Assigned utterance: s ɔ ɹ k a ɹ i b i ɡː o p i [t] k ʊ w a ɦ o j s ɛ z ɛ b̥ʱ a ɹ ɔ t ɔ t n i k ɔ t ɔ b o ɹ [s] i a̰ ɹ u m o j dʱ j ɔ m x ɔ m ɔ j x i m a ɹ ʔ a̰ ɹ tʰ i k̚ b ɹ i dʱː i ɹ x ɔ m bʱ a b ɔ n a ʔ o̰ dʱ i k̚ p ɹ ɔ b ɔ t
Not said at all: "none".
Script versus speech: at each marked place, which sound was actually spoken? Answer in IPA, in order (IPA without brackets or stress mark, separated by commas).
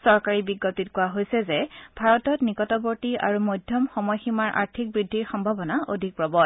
t, t